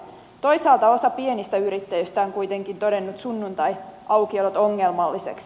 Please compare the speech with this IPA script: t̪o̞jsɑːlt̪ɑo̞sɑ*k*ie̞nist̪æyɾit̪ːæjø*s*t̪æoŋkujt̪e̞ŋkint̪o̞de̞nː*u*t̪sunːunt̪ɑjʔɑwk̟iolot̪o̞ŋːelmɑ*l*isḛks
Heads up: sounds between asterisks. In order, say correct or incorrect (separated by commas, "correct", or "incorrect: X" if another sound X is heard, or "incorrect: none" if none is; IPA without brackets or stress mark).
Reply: incorrect: p, correct, correct, incorrect: lː